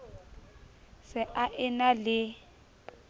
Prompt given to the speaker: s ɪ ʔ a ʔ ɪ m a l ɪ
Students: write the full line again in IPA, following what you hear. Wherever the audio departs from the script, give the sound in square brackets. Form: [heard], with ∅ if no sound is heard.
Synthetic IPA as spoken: s ɪ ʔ a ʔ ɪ [n] a l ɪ